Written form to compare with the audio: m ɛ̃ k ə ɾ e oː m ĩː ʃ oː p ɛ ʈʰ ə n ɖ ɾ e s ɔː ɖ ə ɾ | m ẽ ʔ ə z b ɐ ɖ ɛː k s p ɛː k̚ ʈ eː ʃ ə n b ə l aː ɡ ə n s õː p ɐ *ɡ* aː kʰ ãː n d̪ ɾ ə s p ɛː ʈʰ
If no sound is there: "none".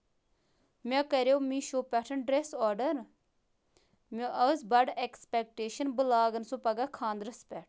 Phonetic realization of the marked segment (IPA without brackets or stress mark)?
ɡ